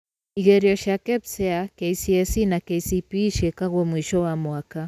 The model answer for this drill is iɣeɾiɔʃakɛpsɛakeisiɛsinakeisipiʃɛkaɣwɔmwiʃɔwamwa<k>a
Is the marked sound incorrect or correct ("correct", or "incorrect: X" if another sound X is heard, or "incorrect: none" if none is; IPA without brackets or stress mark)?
correct